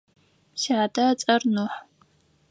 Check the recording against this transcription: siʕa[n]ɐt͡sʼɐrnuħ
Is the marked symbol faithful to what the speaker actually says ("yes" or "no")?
no